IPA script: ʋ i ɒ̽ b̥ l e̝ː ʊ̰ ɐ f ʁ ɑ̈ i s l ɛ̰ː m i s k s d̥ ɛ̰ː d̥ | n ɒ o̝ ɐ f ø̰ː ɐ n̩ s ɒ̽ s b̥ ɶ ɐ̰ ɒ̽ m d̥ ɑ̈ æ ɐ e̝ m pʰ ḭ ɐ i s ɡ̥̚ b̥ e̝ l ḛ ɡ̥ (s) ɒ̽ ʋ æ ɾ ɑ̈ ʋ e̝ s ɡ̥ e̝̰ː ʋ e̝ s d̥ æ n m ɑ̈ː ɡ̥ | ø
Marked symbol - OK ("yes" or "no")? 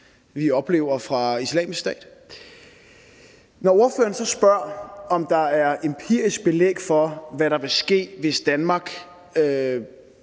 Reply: no